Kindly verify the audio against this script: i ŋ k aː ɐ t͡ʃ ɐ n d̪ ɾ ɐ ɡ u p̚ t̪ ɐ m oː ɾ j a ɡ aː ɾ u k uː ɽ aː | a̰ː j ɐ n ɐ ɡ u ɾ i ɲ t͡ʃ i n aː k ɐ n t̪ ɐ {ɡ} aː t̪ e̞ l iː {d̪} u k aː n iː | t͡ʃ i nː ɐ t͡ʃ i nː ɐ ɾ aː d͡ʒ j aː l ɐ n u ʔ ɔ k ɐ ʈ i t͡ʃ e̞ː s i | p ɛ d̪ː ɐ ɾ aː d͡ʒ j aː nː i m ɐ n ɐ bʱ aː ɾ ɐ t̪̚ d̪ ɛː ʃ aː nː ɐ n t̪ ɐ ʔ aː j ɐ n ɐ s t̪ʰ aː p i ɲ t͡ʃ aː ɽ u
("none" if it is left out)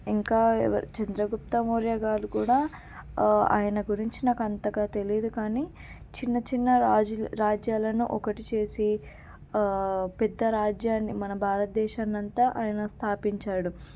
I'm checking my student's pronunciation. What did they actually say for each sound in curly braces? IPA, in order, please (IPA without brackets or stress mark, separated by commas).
ɡ, d̪